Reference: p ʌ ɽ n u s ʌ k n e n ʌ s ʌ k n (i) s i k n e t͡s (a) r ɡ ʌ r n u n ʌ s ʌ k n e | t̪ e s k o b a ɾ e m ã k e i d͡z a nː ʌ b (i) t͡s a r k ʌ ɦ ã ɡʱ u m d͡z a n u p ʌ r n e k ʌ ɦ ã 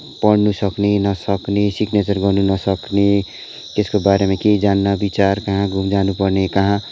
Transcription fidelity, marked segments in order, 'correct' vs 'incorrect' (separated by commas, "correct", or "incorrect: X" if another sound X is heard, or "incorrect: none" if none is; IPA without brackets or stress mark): incorrect: e, incorrect: ʌ, correct